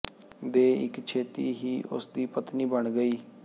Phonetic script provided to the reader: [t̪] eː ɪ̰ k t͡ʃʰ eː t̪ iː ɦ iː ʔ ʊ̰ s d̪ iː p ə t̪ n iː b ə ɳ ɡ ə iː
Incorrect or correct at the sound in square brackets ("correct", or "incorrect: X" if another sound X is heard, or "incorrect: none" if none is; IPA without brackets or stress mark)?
incorrect: d̪